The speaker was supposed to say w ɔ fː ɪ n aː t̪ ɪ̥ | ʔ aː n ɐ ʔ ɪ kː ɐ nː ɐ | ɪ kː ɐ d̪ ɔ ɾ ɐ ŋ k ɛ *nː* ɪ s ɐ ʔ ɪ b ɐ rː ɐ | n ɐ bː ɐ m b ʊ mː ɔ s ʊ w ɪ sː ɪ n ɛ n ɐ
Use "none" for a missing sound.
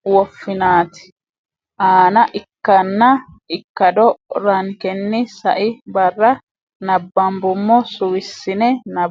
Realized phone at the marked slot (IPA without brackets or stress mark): nː